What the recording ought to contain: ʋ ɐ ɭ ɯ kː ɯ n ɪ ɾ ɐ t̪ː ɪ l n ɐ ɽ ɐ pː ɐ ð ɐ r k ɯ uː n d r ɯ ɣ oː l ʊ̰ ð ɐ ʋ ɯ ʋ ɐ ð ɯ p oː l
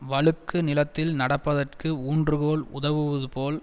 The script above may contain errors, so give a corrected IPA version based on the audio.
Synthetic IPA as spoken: ʋ ɐ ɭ ɯ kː ɯ n ɪ l ɐ t̪ː ɪ l n ɐ ɽ ɐ pː ɐ ð ɐ r k ɯ uː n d r ɯ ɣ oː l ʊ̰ ð ɐ ʋ ɯ ʋ ɐ ð ɯ p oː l